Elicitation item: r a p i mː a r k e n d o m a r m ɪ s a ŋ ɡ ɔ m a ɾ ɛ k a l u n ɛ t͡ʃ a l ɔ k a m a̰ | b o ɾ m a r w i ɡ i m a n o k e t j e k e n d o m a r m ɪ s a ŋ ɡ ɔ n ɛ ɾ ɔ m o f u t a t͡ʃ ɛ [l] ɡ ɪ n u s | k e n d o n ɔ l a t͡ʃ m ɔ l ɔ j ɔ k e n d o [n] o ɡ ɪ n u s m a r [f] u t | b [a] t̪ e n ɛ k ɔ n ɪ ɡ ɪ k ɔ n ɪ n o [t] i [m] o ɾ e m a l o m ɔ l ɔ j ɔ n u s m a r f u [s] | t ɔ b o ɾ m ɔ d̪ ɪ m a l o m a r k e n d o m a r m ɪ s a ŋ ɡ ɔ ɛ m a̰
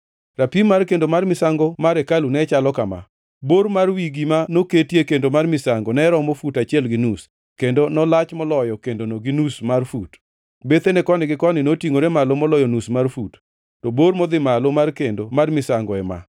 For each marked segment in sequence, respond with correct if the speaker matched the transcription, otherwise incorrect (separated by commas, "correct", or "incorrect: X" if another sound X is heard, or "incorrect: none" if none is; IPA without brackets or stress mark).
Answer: correct, correct, correct, incorrect: e, correct, incorrect: ŋ, incorrect: t